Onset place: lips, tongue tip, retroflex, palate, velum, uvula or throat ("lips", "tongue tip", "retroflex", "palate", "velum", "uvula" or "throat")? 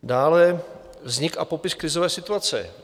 tongue tip